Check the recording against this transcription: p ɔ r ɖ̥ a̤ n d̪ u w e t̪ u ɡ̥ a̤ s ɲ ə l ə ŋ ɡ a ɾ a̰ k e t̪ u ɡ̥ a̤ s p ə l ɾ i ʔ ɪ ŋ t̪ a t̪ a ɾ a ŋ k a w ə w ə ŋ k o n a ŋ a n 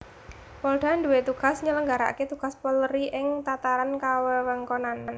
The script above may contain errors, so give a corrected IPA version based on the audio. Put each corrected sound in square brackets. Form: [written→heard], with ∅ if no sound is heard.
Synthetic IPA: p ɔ [r→l] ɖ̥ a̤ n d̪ u w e t̪ u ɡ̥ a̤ s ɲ ə l ə ŋ ɡ a ɾ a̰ k e t̪ u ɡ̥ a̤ s p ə l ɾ i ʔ ɪ ŋ t̪ a t̪ a ɾ a [ŋ→n] k a w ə w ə ŋ k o n a [ŋ→n] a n